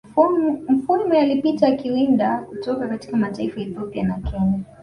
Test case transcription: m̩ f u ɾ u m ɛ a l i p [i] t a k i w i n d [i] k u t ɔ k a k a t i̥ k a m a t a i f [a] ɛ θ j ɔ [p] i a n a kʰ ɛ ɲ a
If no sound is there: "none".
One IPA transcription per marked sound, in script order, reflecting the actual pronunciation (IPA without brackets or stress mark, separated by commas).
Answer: i, a, a, p